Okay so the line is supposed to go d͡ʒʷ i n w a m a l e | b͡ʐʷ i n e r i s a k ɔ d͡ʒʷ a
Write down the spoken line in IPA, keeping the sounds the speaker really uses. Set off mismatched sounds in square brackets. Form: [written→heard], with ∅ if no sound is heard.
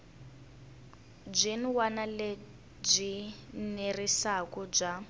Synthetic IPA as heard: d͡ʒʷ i n w a [m→n] a l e | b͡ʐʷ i n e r i s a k ɔ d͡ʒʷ a